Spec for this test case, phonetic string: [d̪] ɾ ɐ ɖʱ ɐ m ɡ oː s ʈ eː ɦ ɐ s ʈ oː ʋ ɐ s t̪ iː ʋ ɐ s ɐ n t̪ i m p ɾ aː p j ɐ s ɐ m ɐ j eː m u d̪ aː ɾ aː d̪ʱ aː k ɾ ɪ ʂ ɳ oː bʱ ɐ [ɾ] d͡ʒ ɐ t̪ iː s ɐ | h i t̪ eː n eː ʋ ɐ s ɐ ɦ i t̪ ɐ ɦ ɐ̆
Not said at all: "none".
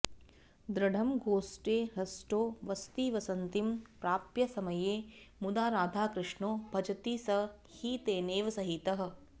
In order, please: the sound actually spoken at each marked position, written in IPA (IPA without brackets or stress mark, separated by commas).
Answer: d̪, none